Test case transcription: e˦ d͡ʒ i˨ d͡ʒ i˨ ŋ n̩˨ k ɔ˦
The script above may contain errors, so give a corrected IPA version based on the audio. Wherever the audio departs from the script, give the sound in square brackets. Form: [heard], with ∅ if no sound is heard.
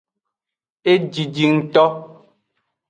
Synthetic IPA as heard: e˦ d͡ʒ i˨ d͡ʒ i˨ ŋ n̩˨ [t] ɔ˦